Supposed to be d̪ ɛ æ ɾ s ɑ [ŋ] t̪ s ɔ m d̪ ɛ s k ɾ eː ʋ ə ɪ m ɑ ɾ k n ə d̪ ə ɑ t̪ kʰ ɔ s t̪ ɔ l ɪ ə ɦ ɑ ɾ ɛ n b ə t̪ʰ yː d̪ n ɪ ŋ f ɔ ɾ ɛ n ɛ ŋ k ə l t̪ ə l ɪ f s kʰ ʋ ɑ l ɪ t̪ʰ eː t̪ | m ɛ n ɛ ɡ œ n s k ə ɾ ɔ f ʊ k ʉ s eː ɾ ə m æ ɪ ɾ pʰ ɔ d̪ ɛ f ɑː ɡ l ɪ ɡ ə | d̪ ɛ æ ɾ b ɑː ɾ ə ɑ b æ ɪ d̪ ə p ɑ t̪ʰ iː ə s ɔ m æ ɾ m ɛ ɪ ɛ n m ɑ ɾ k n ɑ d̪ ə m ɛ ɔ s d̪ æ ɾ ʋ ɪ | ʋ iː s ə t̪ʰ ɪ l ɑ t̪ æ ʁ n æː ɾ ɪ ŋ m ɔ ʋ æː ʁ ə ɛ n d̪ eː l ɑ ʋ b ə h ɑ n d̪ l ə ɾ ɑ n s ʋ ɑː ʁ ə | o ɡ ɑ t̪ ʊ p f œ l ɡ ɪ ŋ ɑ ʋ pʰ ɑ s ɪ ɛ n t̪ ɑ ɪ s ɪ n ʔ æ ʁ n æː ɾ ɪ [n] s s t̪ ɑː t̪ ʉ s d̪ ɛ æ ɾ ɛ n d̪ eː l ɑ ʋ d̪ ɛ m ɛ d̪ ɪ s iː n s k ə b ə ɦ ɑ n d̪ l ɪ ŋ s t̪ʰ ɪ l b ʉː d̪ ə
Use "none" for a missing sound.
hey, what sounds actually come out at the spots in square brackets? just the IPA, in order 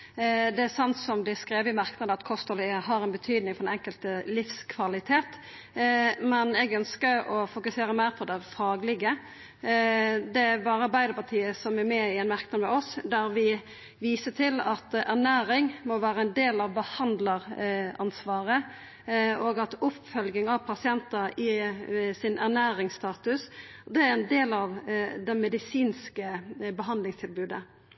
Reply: n, ŋ

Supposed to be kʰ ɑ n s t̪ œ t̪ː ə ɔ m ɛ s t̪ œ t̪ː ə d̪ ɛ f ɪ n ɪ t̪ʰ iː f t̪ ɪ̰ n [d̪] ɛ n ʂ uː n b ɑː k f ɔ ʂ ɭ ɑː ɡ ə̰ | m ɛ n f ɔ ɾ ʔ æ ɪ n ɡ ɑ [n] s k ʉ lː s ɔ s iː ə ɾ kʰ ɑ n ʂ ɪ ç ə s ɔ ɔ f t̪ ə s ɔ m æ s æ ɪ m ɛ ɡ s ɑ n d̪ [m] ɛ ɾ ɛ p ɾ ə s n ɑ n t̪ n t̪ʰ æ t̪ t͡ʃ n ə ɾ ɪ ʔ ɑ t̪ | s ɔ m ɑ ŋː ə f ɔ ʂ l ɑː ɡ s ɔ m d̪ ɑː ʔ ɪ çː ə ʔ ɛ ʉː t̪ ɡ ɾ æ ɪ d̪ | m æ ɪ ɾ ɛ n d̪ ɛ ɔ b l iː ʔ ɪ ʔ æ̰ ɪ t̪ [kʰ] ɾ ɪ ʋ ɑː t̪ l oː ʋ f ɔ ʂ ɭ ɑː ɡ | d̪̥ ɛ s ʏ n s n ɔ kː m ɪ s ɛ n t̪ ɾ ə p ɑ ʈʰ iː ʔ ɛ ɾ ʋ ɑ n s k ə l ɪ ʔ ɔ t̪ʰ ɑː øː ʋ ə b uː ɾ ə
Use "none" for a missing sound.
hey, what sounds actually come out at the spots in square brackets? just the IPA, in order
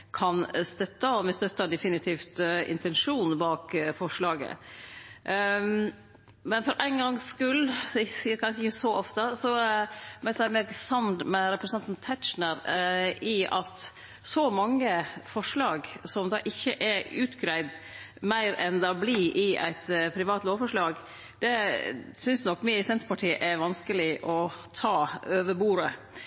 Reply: t̪, ŋ, m, pʰ

